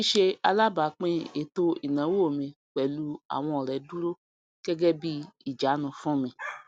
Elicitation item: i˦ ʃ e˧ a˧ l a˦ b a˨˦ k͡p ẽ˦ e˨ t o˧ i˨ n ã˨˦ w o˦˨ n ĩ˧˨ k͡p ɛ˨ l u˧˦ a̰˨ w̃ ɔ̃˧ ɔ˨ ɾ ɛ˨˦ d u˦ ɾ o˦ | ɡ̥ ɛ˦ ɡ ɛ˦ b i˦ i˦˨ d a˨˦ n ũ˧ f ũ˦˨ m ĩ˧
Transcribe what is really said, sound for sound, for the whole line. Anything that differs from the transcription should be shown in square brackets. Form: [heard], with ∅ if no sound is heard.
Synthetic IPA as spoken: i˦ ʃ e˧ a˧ l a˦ b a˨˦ k͡p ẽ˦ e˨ t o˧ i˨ n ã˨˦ w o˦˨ [m] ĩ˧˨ k͡p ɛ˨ l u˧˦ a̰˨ w̃ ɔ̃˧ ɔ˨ ɾ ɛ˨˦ d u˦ ɾ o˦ | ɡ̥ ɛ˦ ɡ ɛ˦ b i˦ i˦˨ [d͡ʒ] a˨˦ n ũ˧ f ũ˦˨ m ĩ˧